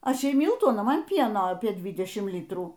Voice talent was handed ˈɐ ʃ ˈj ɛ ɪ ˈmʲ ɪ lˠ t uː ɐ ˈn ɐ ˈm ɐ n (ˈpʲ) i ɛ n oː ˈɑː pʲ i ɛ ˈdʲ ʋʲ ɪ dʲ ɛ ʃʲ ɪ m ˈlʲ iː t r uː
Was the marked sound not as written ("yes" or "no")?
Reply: no